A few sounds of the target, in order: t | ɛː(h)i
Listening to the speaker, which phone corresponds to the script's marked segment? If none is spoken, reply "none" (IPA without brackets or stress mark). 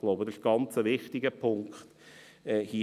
h